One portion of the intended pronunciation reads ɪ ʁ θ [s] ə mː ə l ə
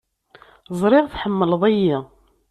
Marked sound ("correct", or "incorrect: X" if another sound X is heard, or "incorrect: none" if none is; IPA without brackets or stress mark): incorrect: ħ